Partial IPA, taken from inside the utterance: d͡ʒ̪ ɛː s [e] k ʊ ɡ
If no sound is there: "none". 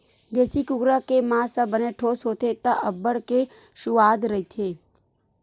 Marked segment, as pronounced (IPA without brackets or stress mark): i